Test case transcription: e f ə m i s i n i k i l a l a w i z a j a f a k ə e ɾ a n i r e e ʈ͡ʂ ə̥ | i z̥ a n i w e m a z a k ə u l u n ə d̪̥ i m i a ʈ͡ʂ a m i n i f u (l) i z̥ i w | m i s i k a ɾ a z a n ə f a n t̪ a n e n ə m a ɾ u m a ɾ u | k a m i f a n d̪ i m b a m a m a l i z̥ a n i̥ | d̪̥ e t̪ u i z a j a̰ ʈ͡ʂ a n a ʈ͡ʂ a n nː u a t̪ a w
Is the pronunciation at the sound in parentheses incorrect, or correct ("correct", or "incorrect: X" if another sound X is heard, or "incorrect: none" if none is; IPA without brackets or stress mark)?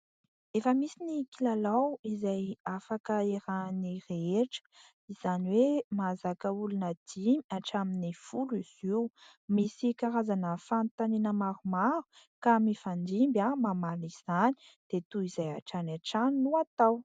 correct